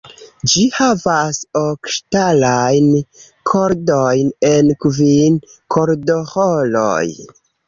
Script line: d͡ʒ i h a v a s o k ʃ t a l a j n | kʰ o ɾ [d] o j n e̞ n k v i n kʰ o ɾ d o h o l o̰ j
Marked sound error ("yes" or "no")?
no